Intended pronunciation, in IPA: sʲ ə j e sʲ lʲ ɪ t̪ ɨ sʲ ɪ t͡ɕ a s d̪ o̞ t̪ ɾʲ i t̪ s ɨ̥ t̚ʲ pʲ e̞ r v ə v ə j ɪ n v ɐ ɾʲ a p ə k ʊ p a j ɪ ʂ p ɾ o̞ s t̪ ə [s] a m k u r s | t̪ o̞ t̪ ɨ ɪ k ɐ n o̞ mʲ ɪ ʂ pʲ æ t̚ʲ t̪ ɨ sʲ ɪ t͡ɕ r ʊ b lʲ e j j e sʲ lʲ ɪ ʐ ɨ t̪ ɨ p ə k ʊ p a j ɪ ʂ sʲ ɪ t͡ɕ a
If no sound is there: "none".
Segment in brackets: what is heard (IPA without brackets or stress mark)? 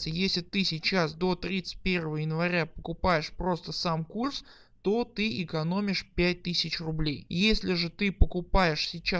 s